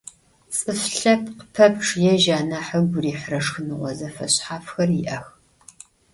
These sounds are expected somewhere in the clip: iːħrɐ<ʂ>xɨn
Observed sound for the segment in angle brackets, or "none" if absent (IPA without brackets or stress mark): ʂ